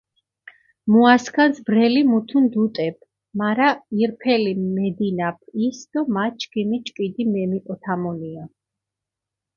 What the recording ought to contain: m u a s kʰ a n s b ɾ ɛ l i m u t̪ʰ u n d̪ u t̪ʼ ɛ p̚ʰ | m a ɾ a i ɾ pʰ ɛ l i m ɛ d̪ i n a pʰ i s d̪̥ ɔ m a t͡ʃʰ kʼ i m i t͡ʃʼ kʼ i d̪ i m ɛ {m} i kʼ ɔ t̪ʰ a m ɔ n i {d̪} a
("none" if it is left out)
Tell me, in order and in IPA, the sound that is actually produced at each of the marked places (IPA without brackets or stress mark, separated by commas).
m, none